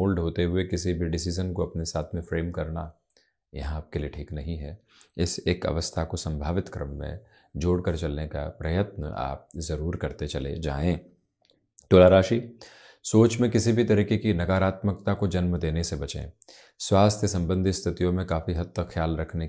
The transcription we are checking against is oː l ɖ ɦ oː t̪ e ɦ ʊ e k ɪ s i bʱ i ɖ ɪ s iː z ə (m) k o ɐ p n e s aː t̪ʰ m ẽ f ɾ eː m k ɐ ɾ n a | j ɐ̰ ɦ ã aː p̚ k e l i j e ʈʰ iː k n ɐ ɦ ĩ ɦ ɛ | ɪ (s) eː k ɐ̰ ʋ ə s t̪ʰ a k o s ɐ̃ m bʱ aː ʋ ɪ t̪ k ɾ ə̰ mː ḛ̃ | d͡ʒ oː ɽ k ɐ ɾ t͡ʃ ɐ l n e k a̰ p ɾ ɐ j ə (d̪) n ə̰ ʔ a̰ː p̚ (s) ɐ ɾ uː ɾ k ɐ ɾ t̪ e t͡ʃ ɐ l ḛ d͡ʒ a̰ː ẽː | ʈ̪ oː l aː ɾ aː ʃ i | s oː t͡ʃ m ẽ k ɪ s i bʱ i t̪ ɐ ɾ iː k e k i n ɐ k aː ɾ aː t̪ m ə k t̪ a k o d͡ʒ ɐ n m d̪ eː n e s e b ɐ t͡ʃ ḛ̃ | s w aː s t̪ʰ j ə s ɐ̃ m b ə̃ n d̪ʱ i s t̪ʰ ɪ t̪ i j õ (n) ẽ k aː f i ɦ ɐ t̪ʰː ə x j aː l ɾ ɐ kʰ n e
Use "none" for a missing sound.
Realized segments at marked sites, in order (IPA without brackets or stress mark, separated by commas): n, s, t̪, z, m